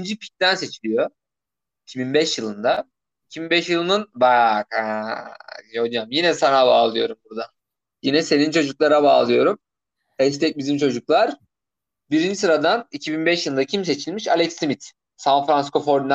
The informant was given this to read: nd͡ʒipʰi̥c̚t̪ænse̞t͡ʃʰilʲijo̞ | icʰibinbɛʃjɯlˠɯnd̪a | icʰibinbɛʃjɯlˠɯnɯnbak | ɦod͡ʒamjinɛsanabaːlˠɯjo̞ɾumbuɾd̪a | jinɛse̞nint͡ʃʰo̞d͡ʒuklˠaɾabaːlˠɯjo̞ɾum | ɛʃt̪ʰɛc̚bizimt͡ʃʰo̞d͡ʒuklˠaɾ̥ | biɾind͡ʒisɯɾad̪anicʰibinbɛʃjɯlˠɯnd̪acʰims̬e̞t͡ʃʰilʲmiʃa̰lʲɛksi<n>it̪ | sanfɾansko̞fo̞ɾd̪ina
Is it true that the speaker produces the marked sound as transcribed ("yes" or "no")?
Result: no